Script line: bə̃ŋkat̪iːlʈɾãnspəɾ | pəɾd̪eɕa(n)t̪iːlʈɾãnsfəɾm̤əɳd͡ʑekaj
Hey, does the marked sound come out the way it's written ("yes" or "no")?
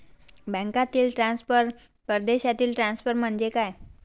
no